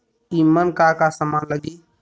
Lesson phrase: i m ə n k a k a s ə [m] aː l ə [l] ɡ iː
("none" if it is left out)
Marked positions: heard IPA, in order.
m, none

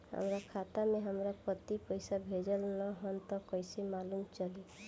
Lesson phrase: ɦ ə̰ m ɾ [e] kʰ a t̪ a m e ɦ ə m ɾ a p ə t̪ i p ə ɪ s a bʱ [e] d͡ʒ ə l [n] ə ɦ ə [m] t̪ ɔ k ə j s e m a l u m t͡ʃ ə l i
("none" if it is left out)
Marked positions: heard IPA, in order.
a, e, n, n

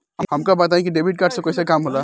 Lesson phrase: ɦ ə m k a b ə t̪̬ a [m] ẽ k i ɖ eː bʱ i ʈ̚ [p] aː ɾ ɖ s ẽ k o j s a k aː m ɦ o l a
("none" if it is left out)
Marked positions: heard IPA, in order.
none, k

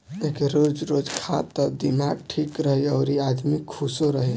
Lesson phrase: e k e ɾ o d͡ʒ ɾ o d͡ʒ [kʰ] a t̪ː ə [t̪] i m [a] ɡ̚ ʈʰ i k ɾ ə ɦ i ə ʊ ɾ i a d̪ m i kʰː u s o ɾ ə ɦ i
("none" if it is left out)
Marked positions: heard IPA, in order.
kʰ, d̪, a

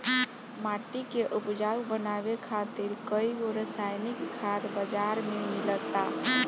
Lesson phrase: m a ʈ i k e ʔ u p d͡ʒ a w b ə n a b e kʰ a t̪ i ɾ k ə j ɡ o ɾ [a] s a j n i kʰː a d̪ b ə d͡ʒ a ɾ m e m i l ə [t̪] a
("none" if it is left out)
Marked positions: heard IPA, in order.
ə, t̪

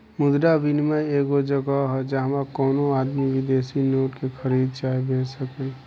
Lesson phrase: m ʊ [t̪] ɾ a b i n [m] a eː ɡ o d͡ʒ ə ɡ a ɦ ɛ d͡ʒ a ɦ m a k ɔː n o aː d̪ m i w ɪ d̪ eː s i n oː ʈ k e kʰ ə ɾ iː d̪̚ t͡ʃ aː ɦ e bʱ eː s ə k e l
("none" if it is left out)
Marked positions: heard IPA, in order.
d̪, m

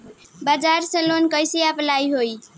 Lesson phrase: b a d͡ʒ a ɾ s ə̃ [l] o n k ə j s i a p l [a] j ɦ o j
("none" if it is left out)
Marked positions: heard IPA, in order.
l, a

